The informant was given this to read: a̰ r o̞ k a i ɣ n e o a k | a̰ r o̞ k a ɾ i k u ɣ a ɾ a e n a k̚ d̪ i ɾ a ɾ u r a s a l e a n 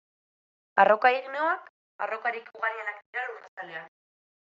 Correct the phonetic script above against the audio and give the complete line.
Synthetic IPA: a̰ r o̞ k a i ɣ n e o a k | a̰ r o̞ k a ɾ i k u ɣ a ɾ i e n a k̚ d̪ i ɾ a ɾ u r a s a l e a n